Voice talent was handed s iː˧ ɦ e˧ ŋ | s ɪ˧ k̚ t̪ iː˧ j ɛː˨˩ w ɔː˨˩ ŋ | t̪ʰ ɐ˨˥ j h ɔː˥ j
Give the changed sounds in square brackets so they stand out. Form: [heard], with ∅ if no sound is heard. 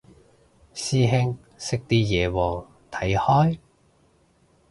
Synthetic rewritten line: s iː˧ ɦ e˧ ŋ | s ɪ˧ k̚ t̪ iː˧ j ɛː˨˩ w ɔː˨˩ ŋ | t̪ʰ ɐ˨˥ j h ɔː˥ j